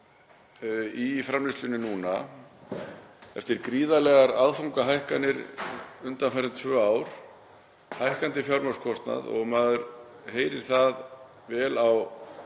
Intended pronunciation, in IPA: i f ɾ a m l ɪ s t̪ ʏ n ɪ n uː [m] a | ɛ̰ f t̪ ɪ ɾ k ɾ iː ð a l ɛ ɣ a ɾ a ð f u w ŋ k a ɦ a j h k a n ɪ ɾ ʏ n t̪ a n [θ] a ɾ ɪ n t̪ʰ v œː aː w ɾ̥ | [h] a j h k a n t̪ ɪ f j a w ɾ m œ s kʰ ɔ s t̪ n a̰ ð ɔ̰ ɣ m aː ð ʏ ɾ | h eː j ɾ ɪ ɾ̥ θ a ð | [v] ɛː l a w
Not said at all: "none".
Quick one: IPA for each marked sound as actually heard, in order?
n, f, h, v

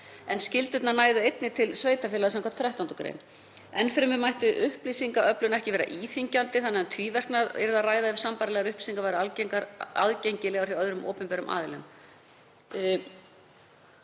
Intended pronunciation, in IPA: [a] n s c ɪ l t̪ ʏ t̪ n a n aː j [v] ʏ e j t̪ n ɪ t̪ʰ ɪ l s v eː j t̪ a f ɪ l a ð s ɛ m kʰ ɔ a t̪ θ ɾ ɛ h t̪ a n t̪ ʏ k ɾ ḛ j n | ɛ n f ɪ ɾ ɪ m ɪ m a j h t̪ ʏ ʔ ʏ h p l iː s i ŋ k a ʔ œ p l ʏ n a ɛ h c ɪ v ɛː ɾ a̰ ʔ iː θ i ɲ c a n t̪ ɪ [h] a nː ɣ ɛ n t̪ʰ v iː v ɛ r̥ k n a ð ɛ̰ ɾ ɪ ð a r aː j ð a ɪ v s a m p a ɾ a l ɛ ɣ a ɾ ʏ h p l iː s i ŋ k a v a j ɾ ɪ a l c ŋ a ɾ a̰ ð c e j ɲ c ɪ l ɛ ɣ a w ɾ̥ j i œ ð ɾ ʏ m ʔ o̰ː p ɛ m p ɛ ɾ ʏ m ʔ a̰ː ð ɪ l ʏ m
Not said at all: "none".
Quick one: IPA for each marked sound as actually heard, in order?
ɛ, ð, θ

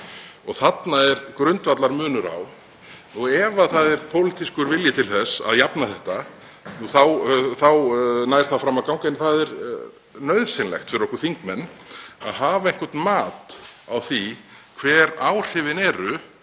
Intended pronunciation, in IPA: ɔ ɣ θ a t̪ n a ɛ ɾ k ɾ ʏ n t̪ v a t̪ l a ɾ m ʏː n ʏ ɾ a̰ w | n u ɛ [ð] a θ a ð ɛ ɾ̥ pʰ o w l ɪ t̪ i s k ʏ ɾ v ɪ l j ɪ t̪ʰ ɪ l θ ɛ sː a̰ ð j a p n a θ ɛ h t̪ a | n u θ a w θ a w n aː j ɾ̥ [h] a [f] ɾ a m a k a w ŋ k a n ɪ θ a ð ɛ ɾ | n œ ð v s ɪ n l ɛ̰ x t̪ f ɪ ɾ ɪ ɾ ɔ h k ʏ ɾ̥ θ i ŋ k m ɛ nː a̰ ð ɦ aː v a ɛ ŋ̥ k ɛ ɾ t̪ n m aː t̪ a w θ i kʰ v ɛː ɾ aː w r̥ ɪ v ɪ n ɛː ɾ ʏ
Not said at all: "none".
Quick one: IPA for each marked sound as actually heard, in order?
v, θ, f

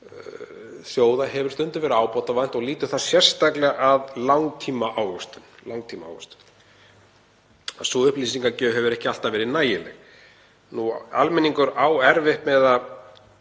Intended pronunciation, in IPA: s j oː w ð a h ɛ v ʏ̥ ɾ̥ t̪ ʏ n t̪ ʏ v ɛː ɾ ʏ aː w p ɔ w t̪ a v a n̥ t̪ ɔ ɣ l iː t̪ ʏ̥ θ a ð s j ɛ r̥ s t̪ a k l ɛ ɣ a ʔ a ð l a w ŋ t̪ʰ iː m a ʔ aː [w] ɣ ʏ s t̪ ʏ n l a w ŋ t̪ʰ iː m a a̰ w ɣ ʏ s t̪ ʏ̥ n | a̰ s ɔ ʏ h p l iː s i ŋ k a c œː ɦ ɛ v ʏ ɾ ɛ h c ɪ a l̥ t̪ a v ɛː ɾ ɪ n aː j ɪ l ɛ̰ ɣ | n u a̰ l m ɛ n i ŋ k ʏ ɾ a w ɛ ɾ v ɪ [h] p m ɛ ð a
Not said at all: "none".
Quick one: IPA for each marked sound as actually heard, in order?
w, h

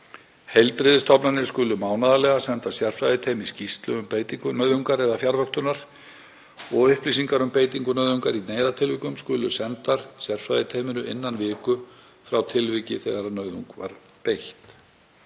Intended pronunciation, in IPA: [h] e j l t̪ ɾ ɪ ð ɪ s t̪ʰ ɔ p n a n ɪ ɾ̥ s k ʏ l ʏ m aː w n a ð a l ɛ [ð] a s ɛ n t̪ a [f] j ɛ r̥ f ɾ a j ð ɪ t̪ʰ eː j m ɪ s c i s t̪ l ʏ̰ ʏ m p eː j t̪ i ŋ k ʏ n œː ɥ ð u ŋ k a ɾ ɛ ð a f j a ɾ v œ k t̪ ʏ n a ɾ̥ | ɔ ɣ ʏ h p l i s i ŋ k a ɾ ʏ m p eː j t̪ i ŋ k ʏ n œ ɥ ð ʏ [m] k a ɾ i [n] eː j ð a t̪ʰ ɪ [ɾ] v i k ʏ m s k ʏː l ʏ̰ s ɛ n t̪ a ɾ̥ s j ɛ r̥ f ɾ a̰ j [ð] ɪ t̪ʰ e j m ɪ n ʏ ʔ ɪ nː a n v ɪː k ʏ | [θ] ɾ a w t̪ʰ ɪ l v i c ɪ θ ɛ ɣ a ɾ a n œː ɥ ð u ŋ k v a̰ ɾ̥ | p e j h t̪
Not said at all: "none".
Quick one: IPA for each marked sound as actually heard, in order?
h, ɣ, s, ŋ, n, l, ð, f

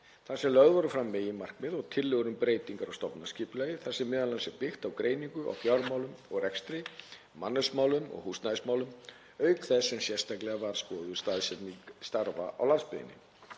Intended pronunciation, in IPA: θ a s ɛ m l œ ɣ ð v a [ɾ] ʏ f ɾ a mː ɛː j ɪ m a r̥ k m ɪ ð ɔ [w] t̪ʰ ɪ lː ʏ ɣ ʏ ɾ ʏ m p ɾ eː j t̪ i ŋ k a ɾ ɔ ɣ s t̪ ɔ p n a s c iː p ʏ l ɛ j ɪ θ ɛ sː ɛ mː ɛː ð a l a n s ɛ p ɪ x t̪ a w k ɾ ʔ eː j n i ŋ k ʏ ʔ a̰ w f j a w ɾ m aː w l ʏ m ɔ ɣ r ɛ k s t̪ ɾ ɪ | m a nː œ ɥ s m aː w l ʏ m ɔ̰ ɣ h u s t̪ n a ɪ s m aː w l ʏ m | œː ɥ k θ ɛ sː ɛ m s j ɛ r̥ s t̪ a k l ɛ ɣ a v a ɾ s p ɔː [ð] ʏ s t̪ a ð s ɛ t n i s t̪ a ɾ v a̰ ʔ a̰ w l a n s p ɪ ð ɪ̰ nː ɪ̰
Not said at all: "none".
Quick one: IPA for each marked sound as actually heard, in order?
ɾ, ɣ, ð

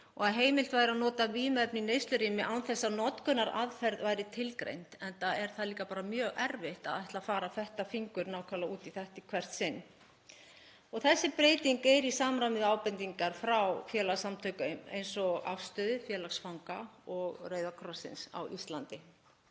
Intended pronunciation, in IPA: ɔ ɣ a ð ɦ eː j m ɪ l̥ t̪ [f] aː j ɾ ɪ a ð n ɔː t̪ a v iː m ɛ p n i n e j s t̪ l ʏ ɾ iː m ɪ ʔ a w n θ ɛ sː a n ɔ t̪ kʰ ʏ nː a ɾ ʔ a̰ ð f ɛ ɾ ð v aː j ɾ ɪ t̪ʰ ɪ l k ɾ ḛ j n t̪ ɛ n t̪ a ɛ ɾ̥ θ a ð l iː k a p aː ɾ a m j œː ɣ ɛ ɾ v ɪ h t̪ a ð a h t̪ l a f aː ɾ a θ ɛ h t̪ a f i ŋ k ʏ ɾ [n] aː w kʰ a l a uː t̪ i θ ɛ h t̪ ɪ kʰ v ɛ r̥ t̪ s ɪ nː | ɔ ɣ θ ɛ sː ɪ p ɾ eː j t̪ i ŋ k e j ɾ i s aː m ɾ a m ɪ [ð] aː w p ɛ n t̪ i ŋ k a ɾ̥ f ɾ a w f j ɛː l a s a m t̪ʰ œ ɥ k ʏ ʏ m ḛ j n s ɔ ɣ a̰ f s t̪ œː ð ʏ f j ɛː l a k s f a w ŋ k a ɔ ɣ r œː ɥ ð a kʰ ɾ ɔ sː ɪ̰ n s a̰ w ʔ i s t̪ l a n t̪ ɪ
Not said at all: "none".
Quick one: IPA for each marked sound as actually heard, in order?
v, n, ð

